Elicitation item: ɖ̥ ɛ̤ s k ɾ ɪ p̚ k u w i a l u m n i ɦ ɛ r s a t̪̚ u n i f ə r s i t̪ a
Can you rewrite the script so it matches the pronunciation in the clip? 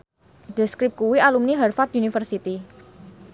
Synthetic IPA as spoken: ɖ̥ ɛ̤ s k ɾ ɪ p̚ k u w i a l u m n i ɦ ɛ r f a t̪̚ u n i f ə r s i t̪ i